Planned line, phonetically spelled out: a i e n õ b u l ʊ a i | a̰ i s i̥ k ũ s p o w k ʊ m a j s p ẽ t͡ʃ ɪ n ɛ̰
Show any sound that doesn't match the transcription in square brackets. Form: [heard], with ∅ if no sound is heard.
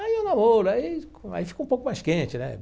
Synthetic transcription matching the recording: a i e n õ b [o] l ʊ a i | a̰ i [f] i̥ k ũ [∅] p o w k ʊ m a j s [k] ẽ t͡ʃ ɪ n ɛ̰